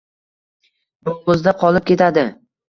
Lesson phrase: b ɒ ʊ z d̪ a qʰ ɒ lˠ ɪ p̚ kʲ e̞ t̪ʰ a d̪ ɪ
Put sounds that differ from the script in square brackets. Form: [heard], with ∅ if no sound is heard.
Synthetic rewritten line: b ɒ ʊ z d̪ a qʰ ɒ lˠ ɪ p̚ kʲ e̞ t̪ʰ a d̪ ɪ